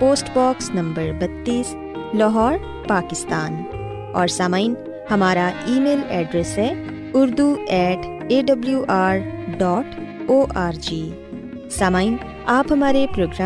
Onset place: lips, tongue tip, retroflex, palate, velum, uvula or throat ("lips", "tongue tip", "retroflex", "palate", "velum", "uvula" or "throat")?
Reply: lips